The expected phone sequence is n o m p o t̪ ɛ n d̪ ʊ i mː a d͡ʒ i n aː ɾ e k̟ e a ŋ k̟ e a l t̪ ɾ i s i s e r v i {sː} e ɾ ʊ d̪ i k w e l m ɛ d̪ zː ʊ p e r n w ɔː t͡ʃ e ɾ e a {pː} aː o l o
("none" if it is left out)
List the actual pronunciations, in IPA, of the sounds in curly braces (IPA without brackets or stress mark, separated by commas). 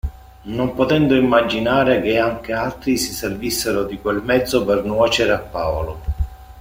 sː, pː